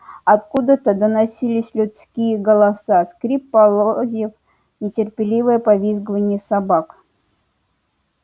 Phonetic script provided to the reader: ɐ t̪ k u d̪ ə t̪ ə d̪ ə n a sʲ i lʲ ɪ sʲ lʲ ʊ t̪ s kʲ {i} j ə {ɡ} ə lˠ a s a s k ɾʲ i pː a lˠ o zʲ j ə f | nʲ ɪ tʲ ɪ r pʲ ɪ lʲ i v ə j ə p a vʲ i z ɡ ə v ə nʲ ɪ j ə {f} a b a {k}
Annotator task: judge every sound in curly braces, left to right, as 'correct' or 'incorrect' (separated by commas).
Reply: correct, correct, incorrect, correct